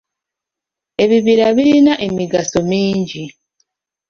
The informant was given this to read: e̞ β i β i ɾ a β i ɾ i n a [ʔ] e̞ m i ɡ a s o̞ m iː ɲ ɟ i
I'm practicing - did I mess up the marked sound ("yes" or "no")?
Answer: no